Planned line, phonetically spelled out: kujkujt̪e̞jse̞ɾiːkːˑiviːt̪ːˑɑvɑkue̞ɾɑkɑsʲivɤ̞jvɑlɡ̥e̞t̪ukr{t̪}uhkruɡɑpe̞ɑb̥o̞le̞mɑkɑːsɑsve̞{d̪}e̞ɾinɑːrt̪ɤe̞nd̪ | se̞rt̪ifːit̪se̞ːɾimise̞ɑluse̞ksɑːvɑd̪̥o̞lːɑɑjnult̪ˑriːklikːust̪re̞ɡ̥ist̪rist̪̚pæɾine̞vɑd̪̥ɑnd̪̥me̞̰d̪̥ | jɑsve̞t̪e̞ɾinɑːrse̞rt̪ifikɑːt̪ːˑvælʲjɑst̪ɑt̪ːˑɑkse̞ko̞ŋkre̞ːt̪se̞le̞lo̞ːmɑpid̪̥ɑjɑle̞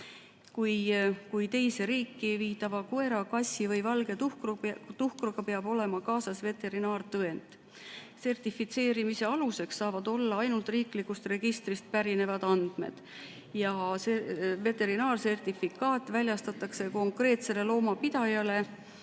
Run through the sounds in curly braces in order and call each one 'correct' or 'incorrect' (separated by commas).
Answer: correct, incorrect